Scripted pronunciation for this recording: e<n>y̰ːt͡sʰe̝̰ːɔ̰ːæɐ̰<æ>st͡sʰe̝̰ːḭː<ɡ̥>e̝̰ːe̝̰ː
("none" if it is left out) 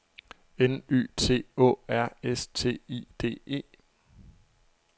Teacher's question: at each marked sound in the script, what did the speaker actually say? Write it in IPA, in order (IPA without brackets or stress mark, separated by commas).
n, e, d̥